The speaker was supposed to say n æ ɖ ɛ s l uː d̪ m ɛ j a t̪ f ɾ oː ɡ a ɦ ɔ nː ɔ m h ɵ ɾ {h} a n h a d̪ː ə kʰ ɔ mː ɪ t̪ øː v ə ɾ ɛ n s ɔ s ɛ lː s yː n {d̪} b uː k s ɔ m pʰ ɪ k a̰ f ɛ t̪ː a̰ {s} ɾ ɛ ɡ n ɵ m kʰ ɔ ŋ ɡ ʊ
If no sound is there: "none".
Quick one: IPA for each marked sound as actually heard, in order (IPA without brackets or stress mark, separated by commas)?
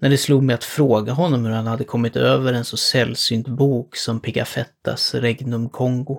h, t̪, s